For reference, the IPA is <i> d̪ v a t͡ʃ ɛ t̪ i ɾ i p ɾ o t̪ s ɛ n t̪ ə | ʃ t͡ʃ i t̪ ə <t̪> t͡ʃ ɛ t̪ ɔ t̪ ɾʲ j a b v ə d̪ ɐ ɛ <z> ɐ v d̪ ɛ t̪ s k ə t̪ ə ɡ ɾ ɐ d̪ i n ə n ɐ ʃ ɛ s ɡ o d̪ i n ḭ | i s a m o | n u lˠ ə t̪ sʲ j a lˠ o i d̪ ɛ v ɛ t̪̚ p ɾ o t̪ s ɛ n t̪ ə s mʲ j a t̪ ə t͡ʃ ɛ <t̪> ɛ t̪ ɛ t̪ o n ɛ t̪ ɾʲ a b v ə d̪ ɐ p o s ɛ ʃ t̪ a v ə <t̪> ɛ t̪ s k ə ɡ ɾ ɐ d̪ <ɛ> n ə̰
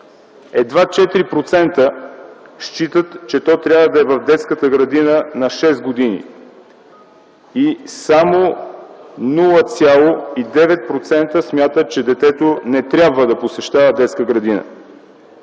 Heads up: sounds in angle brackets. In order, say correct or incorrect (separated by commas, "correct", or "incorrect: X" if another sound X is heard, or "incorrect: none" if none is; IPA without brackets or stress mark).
incorrect: ɛ, correct, incorrect: v, incorrect: d̪, incorrect: d̪, incorrect: i